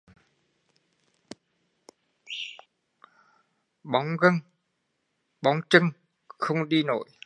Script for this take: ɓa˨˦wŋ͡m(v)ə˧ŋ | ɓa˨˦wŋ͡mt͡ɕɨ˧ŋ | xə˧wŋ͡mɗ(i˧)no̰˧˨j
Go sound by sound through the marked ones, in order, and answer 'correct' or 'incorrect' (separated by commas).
incorrect, correct